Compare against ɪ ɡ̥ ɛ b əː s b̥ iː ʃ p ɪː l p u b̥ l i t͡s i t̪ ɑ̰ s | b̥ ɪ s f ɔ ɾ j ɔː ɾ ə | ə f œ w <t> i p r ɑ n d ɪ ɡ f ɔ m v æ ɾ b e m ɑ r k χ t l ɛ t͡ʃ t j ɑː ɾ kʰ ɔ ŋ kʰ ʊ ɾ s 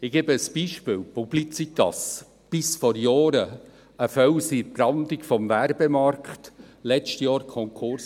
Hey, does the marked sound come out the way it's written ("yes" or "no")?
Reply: no